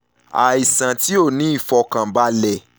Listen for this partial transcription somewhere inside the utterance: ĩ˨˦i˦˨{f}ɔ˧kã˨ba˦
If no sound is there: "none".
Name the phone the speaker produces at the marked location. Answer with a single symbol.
f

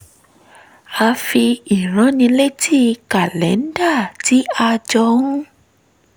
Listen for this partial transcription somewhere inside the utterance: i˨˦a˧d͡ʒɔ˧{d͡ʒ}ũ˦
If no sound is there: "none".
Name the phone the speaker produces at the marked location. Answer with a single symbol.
none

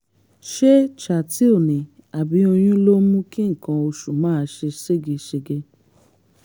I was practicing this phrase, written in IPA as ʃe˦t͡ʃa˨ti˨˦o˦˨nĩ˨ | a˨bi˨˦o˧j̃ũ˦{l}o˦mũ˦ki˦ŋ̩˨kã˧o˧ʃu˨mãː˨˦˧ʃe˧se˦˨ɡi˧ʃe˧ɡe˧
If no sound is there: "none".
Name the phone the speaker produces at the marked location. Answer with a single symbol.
l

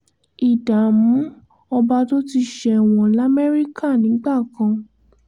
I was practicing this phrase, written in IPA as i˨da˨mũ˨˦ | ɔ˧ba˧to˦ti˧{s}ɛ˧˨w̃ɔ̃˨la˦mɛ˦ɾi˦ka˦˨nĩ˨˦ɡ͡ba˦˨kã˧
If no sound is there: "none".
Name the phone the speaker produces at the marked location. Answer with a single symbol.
ʃ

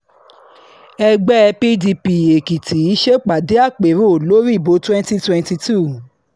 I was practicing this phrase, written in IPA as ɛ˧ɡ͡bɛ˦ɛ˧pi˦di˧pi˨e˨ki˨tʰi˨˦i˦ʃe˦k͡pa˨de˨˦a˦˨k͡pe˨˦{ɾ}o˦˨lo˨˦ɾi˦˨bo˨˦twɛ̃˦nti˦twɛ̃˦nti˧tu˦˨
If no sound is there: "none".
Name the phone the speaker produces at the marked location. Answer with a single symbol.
ɾ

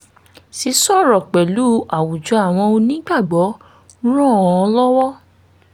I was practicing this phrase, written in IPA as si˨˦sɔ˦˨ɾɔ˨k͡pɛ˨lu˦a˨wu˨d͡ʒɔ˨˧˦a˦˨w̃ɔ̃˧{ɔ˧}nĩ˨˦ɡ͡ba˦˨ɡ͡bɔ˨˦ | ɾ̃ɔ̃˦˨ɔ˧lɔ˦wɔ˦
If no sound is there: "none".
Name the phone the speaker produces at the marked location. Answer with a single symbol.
o˧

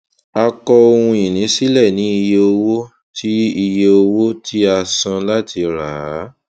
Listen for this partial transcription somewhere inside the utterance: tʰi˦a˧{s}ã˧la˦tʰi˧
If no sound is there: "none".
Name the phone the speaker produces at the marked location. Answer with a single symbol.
s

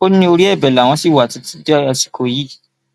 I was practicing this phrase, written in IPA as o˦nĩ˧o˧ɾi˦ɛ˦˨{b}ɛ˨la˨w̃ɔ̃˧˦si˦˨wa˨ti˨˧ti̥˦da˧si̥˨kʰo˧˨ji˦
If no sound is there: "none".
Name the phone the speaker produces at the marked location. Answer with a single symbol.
b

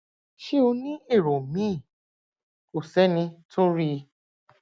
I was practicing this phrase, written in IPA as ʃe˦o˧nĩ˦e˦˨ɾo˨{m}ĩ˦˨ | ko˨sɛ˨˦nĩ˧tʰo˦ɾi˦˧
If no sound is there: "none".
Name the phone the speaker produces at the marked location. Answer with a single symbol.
m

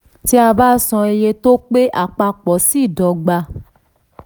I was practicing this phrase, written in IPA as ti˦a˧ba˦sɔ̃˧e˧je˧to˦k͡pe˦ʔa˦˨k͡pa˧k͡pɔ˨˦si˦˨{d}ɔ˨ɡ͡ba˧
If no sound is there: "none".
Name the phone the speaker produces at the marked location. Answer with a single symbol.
d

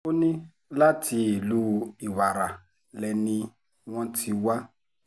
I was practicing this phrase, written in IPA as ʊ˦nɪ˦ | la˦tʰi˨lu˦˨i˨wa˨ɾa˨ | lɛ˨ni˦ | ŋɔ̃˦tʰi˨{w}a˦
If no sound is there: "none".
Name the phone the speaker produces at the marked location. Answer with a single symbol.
w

